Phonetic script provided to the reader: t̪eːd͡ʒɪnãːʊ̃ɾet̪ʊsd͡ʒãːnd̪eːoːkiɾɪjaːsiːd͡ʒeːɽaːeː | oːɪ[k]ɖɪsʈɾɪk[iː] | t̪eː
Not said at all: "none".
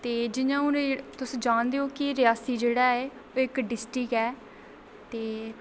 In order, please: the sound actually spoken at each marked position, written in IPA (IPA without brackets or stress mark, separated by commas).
k, ɛː